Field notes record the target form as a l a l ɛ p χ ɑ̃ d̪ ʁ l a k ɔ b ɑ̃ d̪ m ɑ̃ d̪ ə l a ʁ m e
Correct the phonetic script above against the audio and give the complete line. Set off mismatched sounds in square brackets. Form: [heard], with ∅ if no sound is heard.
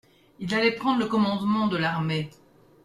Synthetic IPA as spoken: [i] l a l ɛ p χ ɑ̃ d̪ ʁ l [ə] k ɔ [m] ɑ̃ d̪ m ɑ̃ d̪ ə l a ʁ m e